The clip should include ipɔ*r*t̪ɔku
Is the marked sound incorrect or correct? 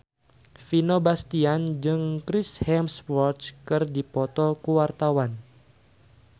incorrect: none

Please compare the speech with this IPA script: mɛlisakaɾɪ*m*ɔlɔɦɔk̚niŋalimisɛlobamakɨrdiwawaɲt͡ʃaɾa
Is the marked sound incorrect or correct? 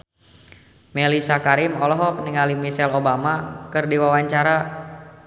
correct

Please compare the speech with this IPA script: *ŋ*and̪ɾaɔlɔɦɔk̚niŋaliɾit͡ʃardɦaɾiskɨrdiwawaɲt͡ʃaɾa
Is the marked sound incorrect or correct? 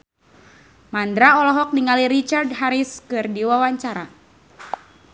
incorrect: m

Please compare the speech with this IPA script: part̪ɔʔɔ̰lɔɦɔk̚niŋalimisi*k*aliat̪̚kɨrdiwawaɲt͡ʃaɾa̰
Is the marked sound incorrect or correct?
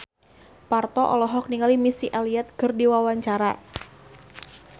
incorrect: ʔ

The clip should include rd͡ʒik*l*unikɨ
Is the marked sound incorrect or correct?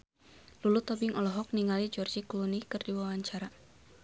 correct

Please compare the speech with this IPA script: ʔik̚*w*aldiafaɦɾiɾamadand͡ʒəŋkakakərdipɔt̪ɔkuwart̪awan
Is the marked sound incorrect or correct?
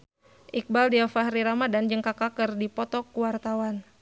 incorrect: b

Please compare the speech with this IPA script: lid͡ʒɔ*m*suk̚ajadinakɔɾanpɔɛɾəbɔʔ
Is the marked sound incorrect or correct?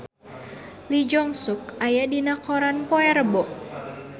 incorrect: ŋ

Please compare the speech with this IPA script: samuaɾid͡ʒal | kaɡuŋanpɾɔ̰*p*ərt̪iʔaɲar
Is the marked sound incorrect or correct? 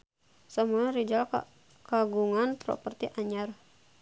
correct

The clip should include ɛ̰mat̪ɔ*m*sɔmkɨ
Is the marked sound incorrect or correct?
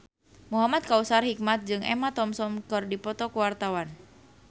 correct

